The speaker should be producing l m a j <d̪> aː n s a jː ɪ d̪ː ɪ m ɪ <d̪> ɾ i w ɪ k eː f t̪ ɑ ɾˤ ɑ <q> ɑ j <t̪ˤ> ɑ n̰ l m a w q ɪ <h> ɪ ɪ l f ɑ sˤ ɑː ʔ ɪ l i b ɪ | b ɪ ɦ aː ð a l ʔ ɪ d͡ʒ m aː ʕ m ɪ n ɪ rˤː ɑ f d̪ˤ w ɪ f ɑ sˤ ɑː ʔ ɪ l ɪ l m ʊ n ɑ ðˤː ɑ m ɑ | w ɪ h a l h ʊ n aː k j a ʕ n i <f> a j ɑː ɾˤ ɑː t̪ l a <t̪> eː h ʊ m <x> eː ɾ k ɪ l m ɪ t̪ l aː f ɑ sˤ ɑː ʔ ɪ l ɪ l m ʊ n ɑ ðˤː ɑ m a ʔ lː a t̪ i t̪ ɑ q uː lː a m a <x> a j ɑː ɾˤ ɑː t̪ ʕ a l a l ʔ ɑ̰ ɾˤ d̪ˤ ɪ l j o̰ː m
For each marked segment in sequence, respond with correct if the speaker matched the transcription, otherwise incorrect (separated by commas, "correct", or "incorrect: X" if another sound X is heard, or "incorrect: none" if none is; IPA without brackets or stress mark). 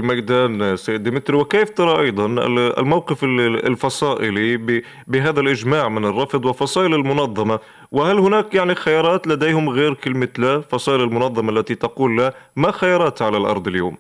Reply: correct, incorrect: t̪, incorrect: ʔ, incorrect: d̪ˤ, incorrect: f, incorrect: x, incorrect: d̪, incorrect: ɣ, correct